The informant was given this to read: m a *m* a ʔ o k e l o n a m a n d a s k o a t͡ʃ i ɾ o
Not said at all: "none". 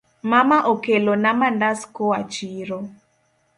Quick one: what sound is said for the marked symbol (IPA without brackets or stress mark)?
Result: m